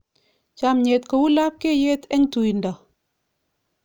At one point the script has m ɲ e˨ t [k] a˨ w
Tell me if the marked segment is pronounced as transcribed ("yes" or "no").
yes